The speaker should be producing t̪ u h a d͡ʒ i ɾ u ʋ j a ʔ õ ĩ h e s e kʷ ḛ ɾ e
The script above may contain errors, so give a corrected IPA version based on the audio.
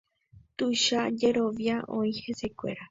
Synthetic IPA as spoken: t̪ u ʃ a d͡ʒ e ɾ o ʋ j a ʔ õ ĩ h e s e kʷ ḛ ɾ a

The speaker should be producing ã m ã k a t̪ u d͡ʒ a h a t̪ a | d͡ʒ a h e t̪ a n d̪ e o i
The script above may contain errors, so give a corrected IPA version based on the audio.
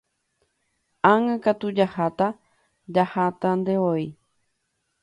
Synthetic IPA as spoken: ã ŋ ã k a t̪ u d͡ʒ a h a t̪ a | d͡ʒ a h a t̪ a n d̪ e o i

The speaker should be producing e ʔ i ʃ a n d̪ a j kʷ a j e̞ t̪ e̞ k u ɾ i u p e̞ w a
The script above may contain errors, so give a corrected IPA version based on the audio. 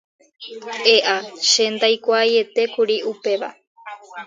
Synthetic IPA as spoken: e ʔ a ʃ e n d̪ a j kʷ a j e̞ t̪ e̞ k u ɾ i u p e̞ ʋ a

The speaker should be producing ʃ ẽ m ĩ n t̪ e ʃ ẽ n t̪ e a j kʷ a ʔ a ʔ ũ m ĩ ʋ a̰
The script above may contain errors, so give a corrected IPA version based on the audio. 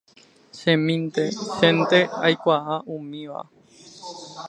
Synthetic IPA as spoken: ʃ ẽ m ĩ n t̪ e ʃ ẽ n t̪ e a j kʷ a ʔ a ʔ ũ m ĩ ʋ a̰

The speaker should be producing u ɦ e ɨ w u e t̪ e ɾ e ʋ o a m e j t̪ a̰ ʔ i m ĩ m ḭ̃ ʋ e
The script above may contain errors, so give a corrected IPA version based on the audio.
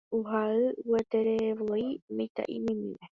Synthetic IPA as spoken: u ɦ a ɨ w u e t̪ e ɾ e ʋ o i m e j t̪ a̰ ʔ i m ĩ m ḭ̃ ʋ e

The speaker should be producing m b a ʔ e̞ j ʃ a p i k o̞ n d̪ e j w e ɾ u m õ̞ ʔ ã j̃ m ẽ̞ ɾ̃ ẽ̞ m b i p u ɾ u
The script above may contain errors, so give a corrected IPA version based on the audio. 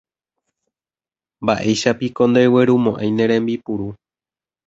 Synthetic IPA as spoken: m b a ʔ e̞ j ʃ a p i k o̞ n d̪ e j w e ɾ u m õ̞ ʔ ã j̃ n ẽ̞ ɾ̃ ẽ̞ m b i p u ɾ u

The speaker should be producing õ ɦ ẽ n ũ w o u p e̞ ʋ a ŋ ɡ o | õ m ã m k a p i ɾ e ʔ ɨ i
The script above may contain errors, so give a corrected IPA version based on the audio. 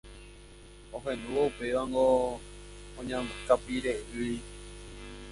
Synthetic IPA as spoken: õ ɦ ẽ n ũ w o u p e̞ ʋ a ŋ ɡ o | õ ɲ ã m k a p i ɾ e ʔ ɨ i

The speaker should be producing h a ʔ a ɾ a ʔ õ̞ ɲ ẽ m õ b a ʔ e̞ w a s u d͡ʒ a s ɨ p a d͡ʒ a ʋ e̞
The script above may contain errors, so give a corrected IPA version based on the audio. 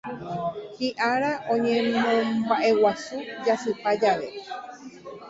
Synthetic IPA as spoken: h i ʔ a ɾ a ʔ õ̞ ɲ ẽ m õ b a ʔ e̞ w a s u d͡ʒ a s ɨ p a d͡ʒ a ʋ e̞

